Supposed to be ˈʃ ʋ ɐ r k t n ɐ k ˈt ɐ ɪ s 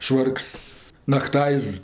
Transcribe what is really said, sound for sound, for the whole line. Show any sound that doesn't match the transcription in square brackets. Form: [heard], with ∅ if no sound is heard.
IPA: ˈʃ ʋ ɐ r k [s] n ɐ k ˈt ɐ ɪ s